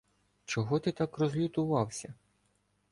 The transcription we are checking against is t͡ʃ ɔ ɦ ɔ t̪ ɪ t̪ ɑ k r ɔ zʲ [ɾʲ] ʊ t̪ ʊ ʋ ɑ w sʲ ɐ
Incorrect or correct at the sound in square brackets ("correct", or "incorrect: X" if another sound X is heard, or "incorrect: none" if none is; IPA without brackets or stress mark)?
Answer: incorrect: lʲ